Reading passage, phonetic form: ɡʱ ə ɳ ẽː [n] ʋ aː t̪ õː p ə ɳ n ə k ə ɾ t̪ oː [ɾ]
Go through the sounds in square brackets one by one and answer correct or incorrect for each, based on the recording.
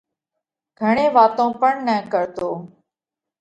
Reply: incorrect: none, incorrect: none

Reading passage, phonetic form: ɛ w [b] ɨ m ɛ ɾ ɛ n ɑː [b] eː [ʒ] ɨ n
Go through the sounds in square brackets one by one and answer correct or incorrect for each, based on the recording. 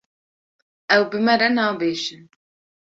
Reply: correct, correct, incorrect: ʃ

